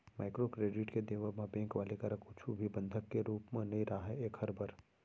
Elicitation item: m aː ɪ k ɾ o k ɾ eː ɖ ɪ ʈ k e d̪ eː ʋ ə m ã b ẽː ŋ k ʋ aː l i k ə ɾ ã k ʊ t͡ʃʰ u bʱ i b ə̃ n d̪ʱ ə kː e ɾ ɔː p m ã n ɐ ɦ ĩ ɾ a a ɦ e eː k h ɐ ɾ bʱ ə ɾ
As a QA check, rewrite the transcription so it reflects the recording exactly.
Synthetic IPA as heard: m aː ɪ k ɾ o k ɾ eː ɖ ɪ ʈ k e d̪ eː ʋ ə m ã b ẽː ŋ k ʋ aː l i k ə ɾ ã k ʊ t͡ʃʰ u bʱ i b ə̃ n d̪ʱ ə kː e ɾ uː p m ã n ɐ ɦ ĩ ɾ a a ɦ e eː k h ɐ ɾ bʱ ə ɾ